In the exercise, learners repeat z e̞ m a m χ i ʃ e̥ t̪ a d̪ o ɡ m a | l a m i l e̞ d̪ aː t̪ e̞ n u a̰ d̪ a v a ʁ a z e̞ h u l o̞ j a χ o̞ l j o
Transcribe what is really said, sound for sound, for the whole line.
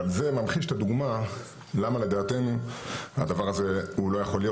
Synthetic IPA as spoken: z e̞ m a m χ i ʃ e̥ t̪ a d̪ u ɡ m a | l a m a l e̞ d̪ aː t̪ e̞ n u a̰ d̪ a v a ʁ a z e̞ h u l o̞ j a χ o̞ l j o